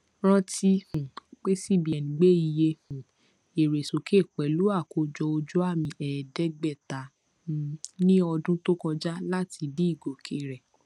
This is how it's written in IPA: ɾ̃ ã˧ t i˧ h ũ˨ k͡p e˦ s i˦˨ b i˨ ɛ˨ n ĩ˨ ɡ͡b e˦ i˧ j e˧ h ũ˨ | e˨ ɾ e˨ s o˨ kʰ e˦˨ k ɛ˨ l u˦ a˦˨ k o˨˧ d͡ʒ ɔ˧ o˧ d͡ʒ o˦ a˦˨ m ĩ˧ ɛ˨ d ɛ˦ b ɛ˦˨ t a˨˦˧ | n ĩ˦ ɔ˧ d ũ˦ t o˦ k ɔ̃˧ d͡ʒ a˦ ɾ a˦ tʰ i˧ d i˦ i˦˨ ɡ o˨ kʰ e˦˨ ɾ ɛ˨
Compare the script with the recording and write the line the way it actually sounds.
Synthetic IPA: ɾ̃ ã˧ t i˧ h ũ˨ k͡p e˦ s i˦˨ b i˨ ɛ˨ n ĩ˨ ɡ͡b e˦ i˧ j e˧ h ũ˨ | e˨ ɾ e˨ s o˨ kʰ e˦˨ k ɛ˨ l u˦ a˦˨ k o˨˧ d͡ʒ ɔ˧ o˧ d͡ʒ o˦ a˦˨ m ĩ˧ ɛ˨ d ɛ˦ ɡ͡b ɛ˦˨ t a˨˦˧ | n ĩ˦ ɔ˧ d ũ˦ t o˦ k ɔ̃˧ d͡ʒ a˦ l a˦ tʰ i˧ d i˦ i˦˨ ɡ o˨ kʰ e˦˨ ɾ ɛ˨